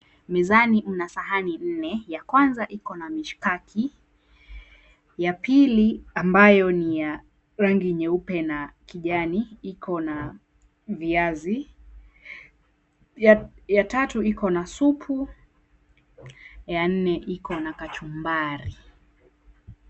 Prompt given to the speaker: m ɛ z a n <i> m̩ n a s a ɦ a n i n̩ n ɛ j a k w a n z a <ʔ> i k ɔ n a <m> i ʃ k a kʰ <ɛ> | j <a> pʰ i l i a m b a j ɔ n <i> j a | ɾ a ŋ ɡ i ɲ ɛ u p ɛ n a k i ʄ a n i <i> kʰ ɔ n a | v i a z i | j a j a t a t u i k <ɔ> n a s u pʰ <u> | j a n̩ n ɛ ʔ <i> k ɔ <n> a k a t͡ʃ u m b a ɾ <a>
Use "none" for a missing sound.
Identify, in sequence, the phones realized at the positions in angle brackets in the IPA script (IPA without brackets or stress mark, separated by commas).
i, ʔ, m, i, a, i, i, ɔ, u, i, n, i